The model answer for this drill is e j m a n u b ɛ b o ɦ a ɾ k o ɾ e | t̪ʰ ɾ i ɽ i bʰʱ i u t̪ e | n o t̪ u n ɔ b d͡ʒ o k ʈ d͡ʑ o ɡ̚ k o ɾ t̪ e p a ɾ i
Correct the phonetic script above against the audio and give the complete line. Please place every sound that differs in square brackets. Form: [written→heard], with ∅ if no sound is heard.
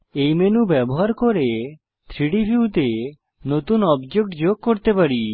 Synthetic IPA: e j m [a→e] n u b ɛ b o ɦ a ɾ k o ɾ e | t̪ʰ ɾ i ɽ i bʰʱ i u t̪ e | n o t̪ u n ɔ b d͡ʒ o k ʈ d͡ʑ o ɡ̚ k o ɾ t̪ e p a ɾ i

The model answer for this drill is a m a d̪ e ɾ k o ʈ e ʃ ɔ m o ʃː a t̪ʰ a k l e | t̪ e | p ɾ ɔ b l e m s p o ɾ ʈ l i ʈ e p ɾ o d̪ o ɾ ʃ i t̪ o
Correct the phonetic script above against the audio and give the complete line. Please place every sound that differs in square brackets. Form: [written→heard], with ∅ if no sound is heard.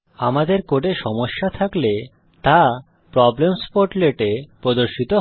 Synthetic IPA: a m a d̪ e ɾ k o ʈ e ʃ ɔ m o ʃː a t̪ʰ a k l e | t̪ [e→a] | p ɾ ɔ b l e m s p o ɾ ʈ l [i→e] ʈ e p ɾ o d̪ o ɾ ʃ i t̪ o

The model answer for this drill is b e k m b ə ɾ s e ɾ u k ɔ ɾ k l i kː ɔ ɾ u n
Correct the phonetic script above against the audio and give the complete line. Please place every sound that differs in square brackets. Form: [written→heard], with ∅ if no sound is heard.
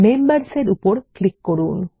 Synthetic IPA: [b→m] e [k→∅] m b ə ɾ s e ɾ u [k→p] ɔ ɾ k l i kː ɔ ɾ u n

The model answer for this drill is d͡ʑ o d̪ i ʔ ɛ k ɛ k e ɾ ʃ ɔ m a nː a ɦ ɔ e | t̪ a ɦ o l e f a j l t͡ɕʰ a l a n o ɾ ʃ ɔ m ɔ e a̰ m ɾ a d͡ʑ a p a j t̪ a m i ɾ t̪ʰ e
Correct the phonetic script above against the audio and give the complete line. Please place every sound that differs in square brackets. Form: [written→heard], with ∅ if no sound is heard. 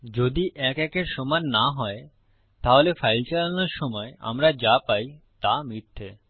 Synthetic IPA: d͡ʑ o d̪ i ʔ ɛ k ɛ k e ɾ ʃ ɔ m a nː a ɦ ɔ e | t̪ a ɦ o l e f a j l [t͡ɕʰ→t͡ɕ] a l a n o ɾ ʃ ɔ m ɔ e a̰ m ɾ a d͡ʑ a p a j t̪ a m i ɾ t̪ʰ e

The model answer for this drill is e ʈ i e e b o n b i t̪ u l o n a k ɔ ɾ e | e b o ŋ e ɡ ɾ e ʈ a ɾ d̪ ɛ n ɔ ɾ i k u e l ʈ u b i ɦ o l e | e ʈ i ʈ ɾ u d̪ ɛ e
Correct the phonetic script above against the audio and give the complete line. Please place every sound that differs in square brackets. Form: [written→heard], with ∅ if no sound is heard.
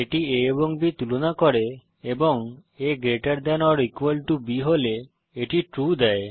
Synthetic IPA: e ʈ i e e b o [n→ŋ] b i t̪ u l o n a k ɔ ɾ e | e b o ŋ e ɡ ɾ e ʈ a ɾ d̪ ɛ n ɔ ɾ i k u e l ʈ u b i ɦ o l e | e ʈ i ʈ ɾ u d̪ ɛ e

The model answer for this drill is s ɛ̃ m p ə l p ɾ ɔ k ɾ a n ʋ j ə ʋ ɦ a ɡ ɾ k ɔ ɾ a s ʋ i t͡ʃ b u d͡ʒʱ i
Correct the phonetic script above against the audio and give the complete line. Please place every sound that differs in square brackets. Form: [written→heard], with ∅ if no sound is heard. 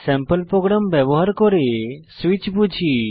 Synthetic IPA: s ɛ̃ m p ə l p ɾ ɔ [k→ɡ] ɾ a [n→m] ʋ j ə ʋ ɦ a [ɡ→∅] ɾ k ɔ ɾ [a→e] s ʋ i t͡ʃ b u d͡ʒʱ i

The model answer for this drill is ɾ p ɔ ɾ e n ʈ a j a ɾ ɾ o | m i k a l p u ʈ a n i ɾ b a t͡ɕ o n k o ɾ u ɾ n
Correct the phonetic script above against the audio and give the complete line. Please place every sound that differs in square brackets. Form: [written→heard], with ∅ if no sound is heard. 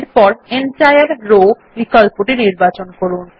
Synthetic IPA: ɾ p ɔ ɾ e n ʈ a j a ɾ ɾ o | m i k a l p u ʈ [a→i] n i ɾ b a t͡ɕ o n k o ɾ u [ɾ→∅] n

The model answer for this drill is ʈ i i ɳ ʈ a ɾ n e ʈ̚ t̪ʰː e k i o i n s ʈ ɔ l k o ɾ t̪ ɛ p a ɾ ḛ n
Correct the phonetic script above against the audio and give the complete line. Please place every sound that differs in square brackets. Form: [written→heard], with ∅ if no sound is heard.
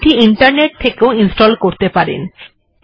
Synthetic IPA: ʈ i i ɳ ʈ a ɾ n e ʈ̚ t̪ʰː e k [i→e] o i n s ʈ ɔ l k o ɾ t̪ [ɛ→e] p a ɾ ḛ n

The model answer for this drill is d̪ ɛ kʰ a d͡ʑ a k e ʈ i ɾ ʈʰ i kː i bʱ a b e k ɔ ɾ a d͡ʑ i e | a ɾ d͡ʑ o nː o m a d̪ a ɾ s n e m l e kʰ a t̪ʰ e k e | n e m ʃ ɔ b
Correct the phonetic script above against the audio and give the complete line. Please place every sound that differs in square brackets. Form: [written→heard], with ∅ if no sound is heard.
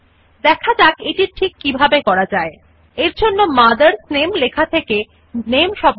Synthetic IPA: d̪ ɛ kʰ a d͡ʑ a k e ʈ i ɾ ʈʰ i kː i bʱ a b e k ɔ ɾ a d͡ʑ [i→a] e | [a→e] ɾ d͡ʑ o nː o m a d̪ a ɾ s n e m l e kʰ a t̪ʰ e k e | n e m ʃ ɔ b

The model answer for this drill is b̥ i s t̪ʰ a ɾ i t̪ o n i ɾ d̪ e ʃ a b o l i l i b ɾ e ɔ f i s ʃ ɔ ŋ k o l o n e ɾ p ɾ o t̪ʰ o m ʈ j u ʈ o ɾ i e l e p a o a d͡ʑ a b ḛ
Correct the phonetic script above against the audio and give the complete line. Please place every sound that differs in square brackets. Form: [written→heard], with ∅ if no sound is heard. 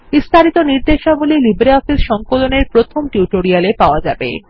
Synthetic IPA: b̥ i s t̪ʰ a ɾ i t̪ o n i ɾ d̪ e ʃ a b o l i l i b ɾ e ɔ f i s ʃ ɔ ŋ k o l o n e ɾ p ɾ o t̪ʰ o m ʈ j u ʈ o ɾ i [e→a] l e p a o a d͡ʑ a b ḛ

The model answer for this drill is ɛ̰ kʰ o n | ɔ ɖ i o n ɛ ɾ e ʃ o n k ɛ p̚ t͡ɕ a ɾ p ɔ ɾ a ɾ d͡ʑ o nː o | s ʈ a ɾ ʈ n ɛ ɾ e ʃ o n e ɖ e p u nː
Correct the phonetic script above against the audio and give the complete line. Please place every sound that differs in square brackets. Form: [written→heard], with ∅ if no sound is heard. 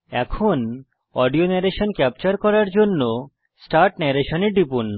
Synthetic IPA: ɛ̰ kʰ o n | ɔ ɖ i o n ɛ ɾ e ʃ o n k ɛ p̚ t͡ɕ a ɾ [p→k] ɔ ɾ a ɾ d͡ʑ o nː o | s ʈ a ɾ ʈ n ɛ ɾ e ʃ o n e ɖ [e→i] p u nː

